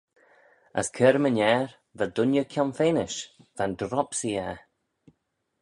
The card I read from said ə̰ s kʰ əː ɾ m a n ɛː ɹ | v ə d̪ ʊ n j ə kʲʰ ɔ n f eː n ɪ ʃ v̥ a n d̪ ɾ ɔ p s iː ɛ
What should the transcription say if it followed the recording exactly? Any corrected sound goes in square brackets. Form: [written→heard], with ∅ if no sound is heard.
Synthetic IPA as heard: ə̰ s kʰ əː ɾ m [a→ə] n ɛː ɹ | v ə d̪ ʊ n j ə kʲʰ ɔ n f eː n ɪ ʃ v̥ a n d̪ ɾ ɔ p s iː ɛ

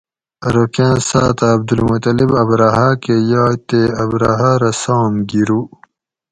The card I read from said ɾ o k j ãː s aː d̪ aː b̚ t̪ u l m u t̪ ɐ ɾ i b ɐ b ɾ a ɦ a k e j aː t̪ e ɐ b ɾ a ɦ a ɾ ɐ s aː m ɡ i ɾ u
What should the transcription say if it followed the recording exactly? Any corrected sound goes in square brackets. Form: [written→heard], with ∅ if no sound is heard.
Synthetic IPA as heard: ɾ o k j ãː s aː [d̪→t̪] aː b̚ [t̪→d̪] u l m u t̪ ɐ [ɾ→l] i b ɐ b ɾ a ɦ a k e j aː t̪ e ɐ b ɾ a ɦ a ɾ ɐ s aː m ɡ i ɾ u

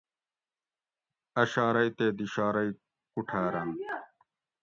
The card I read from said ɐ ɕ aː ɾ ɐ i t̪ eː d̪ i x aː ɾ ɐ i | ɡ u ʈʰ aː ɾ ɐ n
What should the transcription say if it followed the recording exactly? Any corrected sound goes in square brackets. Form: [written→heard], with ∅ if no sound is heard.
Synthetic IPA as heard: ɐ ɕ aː ɾ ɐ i t̪ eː d̪ i [x→ɕ] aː ɾ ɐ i | [ɡ→k] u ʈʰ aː ɾ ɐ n

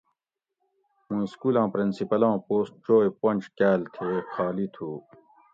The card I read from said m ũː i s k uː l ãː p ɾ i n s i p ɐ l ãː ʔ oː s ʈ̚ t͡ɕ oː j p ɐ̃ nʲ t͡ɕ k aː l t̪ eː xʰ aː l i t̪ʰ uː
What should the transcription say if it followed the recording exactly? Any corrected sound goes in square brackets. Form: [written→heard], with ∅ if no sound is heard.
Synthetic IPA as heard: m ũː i s k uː l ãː p ɾ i n s i p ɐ l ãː [ʔ→p] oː s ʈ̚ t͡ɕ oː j p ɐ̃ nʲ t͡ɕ k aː l [t̪→t̪ʰ] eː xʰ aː l i t̪ʰ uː

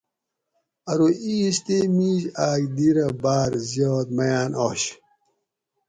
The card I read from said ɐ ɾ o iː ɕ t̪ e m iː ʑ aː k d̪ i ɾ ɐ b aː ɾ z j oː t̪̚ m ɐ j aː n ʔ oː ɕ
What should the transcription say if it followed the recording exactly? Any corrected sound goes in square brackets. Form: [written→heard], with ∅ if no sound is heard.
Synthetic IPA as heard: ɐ ɾ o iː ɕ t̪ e m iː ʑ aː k d̪ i ɾ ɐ b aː ɾ z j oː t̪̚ m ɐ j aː n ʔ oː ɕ

